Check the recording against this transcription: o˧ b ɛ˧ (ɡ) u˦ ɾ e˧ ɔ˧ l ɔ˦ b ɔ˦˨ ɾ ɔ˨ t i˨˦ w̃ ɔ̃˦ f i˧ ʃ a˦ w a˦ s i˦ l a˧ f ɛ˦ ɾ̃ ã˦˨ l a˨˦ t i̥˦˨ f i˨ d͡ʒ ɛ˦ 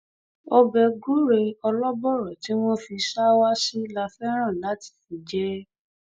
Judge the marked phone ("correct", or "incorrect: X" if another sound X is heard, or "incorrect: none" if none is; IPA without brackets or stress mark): correct